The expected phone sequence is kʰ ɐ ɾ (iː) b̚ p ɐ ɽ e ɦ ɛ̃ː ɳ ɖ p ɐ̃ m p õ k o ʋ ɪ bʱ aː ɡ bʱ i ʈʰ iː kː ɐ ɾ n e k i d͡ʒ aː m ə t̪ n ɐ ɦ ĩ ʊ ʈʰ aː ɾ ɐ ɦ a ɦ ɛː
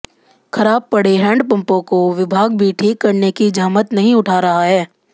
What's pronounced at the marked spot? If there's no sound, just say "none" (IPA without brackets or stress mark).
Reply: aː